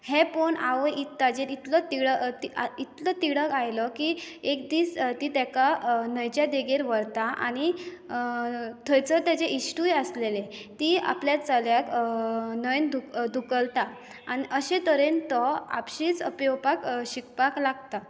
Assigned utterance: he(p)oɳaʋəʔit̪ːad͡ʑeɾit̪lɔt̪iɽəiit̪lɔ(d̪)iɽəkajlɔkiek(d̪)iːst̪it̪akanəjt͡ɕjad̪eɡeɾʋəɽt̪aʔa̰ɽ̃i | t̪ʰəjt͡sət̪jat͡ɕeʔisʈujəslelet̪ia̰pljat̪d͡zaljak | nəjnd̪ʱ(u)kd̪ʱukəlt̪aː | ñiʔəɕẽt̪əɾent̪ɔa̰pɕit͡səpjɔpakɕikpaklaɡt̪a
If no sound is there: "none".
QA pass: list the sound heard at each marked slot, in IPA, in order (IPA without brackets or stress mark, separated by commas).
p, t̪, d̪, u